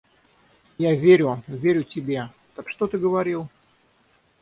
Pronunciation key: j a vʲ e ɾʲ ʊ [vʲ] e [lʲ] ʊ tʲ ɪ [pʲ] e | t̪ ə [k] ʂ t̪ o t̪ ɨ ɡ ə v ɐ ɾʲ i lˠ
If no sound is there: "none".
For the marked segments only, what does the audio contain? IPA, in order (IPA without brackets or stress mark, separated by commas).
vʲ, ɾʲ, bʲ, k